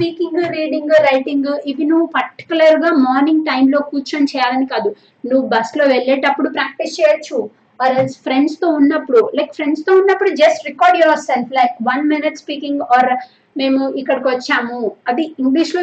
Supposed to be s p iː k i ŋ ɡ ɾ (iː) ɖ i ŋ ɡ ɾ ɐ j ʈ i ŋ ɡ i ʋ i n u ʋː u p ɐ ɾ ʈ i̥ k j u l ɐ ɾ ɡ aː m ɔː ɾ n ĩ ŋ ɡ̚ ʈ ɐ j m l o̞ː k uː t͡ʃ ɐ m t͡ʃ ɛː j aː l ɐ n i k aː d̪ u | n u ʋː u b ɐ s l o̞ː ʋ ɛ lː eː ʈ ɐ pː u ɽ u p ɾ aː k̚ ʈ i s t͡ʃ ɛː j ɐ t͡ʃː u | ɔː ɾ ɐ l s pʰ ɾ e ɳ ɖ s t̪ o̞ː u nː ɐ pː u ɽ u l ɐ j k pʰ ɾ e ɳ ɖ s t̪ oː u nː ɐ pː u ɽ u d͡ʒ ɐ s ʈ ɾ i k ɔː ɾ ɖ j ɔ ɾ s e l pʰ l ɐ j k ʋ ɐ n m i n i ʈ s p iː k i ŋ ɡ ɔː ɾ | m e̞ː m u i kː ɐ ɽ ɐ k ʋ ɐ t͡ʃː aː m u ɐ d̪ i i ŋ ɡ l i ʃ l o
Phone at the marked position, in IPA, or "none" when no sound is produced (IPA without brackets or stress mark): iː